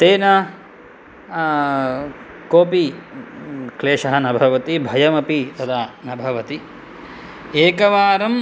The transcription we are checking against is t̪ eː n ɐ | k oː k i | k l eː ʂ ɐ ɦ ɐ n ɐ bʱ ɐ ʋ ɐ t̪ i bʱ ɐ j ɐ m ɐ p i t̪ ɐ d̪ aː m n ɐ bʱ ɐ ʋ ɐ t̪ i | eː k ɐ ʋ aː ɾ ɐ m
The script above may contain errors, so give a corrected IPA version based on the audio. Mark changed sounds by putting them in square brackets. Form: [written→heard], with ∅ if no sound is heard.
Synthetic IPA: t̪ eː n ɐ | k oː [k→p] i | k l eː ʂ ɐ ɦ ɐ n ɐ bʱ ɐ ʋ ɐ t̪ i bʱ ɐ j ɐ m ɐ p i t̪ ɐ d̪ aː [m→∅] n ɐ bʱ ɐ ʋ ɐ t̪ i | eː k ɐ ʋ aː ɾ ɐ m